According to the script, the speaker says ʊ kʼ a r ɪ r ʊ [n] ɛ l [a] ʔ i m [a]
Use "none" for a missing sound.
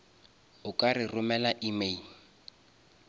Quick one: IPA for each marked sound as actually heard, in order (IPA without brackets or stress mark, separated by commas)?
m, a, e